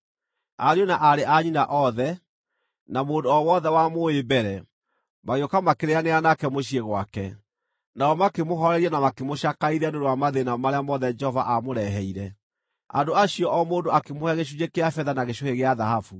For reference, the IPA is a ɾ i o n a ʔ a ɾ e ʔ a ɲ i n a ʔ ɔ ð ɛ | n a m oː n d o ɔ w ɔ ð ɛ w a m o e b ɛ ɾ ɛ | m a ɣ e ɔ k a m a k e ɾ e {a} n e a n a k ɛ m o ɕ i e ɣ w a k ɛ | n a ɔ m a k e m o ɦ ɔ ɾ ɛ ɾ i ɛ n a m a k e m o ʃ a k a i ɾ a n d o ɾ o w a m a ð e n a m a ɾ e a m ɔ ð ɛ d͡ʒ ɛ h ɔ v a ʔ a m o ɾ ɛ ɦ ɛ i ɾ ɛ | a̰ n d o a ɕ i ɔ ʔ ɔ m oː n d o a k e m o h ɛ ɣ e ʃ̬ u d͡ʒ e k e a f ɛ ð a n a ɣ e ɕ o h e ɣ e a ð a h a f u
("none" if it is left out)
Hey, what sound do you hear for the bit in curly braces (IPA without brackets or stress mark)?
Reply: a